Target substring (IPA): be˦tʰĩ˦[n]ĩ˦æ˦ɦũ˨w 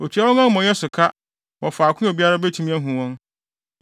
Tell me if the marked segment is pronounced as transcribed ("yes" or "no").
no